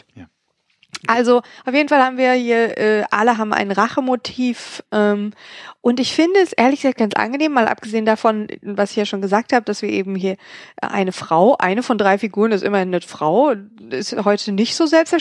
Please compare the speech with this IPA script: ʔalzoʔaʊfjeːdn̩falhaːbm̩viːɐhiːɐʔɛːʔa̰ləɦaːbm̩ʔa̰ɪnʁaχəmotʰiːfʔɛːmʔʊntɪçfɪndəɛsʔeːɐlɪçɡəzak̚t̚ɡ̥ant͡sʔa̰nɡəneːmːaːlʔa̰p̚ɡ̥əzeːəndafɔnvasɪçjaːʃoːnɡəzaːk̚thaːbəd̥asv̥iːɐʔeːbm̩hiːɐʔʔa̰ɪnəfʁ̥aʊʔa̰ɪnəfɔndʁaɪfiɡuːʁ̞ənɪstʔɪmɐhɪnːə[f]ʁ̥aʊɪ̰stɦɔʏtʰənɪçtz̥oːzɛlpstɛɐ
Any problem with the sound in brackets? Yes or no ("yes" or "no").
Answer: no